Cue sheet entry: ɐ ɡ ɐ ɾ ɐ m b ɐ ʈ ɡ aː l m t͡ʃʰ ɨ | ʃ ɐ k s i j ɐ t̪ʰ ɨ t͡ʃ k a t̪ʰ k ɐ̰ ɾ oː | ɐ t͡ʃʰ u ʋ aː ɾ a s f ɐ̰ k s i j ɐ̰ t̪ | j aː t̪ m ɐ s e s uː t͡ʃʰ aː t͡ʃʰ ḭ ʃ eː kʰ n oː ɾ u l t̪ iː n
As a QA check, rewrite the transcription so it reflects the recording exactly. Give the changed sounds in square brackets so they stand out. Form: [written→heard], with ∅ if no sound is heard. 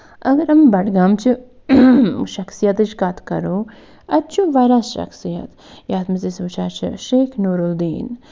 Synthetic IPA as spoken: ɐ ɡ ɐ ɾ ɐ m b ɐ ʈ ɡ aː [l→∅] m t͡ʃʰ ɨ | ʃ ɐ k s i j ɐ [t̪ʰ→t̪] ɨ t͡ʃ k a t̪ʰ k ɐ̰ ɾ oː | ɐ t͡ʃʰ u ʋ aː ɾ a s [f→ʃ] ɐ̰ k s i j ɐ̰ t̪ | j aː t̪ m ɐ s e s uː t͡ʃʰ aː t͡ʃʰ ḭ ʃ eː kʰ n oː ɾ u l [t̪→d̪] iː n